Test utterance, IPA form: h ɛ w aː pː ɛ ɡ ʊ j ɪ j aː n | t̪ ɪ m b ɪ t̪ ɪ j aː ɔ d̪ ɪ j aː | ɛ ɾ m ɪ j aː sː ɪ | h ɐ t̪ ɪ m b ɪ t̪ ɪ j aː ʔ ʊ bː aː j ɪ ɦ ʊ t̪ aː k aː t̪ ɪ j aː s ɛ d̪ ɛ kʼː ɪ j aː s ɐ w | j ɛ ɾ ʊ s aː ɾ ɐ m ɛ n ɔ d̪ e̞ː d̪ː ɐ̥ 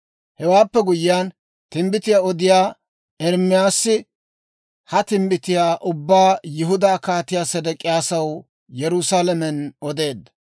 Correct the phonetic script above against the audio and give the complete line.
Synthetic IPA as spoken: h ɛ w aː pː ɛ ɡ ʊ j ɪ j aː n | t̪ ɪ m b ɪ t̪ ɪ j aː ɔ d̪ ɪ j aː | ɛ ɾ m ɪ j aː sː ɪ | h ɐ t̪ ɪ m b ɪ t̪ ɪ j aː ʔ ʊ bː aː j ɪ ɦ ʊ d̪ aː k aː t̪ ɪ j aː s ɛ d̪ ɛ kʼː ɪ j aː s ɐ w | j ɛ ɾ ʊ s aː l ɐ m ɛ n ɔ d̪ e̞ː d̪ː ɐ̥